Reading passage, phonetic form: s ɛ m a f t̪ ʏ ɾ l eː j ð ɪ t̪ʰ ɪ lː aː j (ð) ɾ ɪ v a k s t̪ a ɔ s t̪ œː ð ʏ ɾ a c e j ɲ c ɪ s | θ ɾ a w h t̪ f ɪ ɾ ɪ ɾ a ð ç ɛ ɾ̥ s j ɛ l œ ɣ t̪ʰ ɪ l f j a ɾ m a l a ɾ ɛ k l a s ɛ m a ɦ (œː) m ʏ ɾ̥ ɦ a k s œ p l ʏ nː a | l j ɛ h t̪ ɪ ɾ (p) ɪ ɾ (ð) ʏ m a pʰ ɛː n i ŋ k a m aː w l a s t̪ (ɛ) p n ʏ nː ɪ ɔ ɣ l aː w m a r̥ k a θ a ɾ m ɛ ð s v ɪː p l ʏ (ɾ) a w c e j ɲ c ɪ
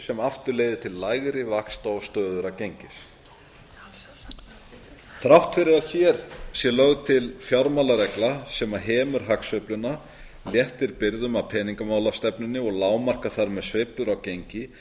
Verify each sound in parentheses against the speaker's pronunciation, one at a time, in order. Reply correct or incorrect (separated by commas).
incorrect, incorrect, correct, correct, correct, correct